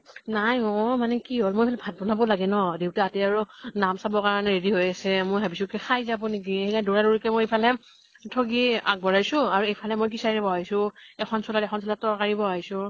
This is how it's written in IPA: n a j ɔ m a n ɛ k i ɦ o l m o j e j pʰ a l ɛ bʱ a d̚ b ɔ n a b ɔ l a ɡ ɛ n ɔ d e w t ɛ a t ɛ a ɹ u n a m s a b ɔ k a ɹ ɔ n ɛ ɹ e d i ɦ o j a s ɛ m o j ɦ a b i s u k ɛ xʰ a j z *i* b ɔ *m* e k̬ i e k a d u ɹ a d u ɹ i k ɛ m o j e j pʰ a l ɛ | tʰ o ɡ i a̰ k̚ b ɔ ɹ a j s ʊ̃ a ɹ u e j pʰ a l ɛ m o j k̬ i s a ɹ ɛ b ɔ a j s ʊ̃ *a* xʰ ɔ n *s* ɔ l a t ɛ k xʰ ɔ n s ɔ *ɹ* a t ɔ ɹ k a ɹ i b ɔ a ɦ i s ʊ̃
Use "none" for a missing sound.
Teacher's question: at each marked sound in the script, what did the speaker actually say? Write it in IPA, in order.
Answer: a, n, ɛ, s, l

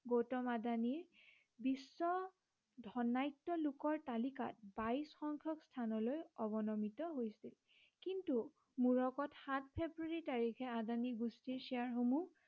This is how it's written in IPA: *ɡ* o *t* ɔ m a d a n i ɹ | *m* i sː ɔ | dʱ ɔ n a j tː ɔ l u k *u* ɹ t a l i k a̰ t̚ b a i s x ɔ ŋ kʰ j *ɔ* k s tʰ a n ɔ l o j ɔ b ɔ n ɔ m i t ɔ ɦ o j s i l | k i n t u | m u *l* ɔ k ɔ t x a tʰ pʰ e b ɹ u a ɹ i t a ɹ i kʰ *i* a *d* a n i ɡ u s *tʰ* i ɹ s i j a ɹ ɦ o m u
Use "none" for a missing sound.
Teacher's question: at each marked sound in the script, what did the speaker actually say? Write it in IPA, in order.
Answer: ɡ, t, b, ɔ, ɔ, ɹ, ɛ, d, t

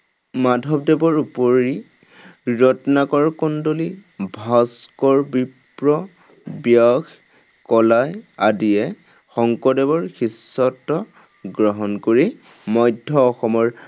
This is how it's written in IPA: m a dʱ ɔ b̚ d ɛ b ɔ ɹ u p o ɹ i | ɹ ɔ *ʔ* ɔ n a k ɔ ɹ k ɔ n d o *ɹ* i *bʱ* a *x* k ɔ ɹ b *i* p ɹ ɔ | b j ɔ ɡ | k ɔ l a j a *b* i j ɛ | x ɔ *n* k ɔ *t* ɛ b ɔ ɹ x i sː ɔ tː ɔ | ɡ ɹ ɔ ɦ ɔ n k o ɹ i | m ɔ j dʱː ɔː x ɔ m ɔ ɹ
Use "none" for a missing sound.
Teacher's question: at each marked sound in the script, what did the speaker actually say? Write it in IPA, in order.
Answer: t, l, bʱ, s, i, d, ŋ, d

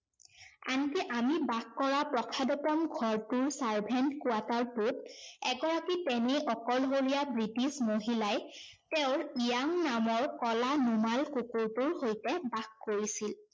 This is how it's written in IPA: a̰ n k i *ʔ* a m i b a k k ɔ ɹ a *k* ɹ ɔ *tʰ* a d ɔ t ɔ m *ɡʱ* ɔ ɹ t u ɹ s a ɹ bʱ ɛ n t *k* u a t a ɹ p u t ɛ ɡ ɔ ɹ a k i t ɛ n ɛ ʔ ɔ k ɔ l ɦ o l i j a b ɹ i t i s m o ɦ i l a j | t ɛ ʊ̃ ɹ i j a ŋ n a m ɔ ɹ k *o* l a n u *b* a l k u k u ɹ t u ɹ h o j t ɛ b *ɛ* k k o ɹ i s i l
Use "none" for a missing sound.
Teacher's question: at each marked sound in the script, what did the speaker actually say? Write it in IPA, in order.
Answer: ʔ, p, kʰ, ɡʱ, k, ɔ, m, a

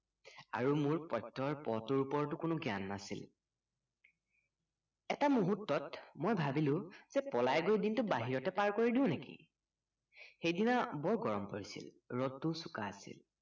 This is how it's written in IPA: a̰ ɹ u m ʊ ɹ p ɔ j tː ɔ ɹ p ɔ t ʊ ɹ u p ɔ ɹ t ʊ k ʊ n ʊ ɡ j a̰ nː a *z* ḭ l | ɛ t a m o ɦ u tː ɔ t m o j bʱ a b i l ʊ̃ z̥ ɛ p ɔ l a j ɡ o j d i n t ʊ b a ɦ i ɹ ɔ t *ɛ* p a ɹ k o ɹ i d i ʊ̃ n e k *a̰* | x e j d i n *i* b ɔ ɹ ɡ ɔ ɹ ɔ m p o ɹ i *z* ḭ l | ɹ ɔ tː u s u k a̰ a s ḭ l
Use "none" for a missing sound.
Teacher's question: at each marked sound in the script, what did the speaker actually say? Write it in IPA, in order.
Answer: s, ɛ, ḭ, a, s

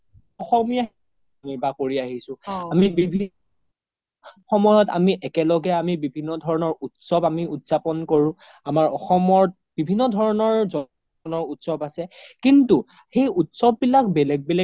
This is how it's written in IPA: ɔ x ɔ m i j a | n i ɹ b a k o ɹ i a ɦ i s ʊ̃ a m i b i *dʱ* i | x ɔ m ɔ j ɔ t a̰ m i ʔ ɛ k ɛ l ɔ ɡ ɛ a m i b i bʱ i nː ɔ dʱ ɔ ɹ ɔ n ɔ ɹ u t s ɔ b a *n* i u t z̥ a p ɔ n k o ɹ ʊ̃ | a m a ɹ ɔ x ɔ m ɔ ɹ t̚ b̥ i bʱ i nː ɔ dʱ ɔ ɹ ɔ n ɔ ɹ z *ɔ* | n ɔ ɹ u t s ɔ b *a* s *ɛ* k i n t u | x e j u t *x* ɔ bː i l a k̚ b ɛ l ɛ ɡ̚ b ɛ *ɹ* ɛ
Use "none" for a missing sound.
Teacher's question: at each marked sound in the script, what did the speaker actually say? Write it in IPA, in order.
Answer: bʱ, m, ɔ, a, ɛ, s, l

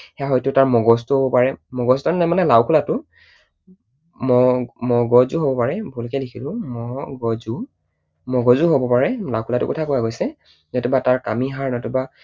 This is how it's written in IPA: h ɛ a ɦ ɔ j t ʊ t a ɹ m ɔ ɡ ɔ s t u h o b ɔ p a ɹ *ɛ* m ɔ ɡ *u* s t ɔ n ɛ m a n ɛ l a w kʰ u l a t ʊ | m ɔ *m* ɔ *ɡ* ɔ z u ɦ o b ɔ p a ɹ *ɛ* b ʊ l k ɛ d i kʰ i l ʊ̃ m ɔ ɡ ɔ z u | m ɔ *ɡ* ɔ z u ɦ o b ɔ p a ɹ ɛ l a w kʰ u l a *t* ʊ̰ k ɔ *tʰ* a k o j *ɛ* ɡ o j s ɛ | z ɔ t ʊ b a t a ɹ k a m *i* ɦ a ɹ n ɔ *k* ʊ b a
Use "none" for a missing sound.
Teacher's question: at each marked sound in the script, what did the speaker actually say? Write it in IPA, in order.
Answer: ɛ, ɔ, m, ɡ, ɛ, ɡ, t, tʰ, a, i, t

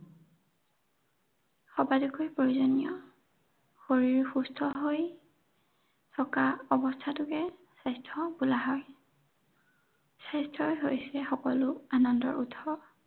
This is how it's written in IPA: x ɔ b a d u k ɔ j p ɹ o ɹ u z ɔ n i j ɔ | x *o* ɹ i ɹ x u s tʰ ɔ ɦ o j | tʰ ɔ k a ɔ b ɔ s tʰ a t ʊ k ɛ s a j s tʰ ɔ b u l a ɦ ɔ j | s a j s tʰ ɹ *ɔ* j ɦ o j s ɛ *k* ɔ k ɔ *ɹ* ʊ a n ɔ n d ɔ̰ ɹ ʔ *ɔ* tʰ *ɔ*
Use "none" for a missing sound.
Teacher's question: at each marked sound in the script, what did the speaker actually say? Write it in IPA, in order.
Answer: o, ɔ, x, l, u, ɔ

